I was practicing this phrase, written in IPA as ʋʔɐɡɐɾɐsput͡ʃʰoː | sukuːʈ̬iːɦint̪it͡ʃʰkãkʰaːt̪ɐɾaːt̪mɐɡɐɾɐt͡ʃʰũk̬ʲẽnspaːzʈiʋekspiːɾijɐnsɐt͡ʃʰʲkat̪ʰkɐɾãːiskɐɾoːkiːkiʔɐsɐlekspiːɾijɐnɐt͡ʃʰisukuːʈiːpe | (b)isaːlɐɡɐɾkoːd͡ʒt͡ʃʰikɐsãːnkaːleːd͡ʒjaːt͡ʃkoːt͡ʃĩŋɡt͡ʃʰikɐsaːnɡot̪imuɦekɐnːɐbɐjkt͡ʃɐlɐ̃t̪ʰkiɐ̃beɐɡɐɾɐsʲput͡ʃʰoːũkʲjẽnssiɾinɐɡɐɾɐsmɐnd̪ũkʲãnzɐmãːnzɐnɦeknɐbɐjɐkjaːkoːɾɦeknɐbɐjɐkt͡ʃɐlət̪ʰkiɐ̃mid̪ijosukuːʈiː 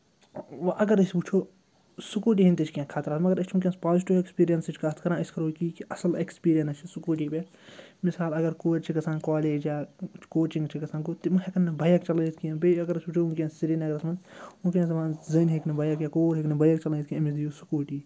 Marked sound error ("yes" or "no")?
yes